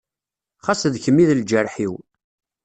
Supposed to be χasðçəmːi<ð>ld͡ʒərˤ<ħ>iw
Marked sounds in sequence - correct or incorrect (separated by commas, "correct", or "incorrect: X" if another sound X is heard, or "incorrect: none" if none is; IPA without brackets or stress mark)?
correct, correct